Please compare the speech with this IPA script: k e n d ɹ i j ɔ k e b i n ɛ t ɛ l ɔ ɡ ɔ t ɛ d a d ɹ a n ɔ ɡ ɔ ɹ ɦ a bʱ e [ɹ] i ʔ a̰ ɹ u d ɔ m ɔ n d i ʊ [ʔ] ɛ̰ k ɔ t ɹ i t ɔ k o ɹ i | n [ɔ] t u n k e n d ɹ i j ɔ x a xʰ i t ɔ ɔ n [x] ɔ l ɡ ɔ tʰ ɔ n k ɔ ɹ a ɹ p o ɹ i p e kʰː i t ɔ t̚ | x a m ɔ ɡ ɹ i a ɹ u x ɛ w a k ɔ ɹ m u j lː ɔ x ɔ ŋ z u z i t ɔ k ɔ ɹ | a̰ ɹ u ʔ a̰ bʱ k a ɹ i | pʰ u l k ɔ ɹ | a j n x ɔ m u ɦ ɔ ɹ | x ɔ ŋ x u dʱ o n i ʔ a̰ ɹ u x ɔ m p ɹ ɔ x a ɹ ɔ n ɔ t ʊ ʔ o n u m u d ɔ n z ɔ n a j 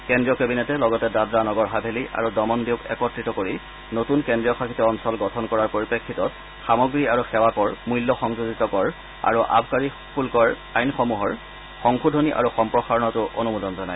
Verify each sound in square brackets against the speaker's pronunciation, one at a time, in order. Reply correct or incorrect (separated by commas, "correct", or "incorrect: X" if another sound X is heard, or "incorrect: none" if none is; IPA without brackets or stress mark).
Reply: incorrect: l, incorrect: k, incorrect: o, incorrect: s